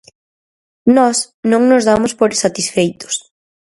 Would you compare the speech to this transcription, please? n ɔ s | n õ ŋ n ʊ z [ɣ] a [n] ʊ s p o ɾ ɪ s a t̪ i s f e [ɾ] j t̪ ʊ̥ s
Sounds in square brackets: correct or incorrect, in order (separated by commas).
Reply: incorrect, incorrect, incorrect